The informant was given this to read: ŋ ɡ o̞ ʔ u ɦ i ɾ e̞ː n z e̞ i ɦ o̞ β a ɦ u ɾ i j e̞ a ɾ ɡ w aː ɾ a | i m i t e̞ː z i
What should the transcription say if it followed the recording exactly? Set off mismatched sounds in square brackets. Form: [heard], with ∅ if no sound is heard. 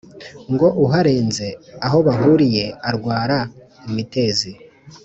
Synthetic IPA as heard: ŋ ɡ o̞ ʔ u ɦ [a] ɾ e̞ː n z e̞ [a] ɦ o̞ β a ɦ u ɾ i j e̞ a ɾ ɡ w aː ɾ a | i m i t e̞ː z i